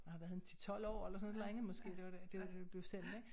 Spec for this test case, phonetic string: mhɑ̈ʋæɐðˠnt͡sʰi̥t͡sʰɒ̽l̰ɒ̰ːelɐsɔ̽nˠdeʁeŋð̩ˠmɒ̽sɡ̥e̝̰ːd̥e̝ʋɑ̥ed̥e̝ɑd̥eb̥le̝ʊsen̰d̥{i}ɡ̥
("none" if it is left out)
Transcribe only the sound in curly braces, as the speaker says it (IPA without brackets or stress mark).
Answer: e